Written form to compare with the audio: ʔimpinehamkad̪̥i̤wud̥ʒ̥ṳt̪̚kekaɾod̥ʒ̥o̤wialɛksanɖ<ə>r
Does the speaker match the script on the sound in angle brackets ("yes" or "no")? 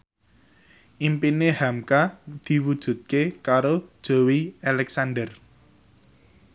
yes